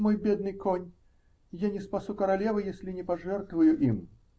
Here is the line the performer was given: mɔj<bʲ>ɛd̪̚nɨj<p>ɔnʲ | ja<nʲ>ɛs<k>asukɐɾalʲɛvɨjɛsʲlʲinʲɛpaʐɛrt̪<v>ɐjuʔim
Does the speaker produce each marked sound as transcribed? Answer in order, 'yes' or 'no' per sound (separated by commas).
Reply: yes, no, yes, no, yes